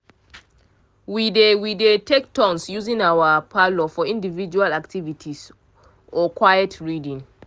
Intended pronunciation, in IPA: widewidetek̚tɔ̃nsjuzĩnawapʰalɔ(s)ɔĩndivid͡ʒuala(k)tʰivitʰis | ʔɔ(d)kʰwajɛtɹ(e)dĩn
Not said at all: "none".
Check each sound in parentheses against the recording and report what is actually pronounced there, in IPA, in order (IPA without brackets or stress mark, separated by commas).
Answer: f, k, none, i